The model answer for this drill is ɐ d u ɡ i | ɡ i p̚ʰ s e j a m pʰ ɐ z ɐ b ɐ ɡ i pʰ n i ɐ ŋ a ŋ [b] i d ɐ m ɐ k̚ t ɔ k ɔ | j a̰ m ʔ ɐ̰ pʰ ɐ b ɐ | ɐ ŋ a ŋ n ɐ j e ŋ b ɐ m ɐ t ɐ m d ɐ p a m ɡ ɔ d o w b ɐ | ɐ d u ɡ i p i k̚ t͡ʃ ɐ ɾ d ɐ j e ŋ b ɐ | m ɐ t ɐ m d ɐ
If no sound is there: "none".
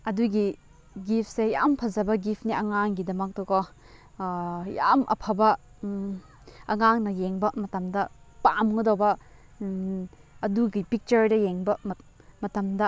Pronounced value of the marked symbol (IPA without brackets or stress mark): ɡ